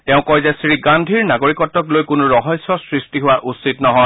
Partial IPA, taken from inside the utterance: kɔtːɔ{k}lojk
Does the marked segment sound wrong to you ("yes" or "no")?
no